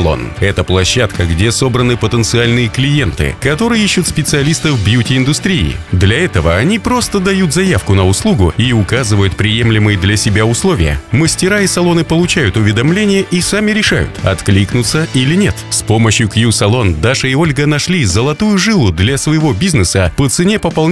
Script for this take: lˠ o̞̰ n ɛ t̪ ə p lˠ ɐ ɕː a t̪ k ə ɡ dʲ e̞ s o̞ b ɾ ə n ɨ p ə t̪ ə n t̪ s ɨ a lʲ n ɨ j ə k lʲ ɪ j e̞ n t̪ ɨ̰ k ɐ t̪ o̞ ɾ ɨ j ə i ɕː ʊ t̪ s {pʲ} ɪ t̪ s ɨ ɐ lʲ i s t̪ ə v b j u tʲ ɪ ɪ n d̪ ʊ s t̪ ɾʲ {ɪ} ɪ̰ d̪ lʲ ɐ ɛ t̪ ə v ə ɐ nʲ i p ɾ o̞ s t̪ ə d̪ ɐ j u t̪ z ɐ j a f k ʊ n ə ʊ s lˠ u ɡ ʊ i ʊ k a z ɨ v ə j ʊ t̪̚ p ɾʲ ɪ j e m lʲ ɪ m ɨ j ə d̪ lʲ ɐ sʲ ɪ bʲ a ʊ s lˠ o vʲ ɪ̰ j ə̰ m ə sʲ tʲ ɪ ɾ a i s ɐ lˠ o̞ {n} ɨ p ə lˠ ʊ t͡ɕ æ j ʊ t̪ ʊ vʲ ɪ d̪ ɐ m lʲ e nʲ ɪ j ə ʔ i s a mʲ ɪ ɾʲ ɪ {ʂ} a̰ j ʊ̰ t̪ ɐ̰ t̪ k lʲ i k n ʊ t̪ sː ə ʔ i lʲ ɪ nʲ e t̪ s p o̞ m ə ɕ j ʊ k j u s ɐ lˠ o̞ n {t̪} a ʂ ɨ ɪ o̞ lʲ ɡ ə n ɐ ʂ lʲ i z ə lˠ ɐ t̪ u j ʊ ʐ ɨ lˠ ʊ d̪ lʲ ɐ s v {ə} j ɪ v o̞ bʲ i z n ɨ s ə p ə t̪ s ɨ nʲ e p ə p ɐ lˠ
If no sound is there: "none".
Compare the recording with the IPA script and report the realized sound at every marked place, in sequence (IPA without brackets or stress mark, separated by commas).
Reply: pʲ, i, n, ʂ, d̪, ə